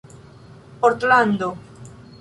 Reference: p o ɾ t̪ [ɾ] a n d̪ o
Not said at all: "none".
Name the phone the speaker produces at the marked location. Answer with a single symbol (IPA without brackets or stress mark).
l